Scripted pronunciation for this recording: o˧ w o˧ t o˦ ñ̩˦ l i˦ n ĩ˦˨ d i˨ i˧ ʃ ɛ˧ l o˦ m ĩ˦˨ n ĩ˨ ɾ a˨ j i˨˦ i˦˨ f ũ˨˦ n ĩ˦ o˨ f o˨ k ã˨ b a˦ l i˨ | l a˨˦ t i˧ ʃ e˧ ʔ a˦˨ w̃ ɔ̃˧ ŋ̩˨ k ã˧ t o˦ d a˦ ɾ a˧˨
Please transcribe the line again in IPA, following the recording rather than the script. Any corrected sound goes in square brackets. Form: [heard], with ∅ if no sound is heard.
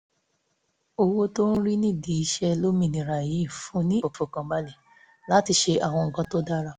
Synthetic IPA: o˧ w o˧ t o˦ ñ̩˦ [ɾ] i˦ n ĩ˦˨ d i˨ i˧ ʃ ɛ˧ l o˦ m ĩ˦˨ n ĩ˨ ɾ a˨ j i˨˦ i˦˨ f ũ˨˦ n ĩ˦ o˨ f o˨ k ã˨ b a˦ l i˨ | l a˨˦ t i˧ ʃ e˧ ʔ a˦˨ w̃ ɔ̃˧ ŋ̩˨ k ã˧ t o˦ d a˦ ɾ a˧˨